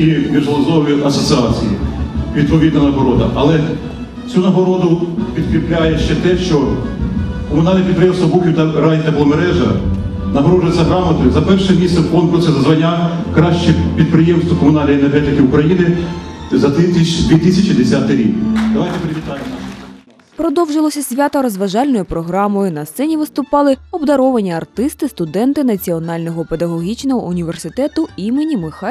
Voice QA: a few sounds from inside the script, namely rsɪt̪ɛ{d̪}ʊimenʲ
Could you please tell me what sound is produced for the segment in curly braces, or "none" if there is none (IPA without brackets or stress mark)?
t̪